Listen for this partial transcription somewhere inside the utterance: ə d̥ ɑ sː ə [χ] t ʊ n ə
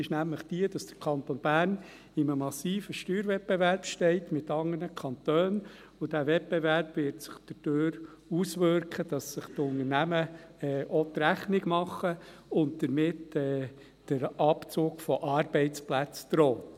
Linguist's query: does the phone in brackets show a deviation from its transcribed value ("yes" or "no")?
no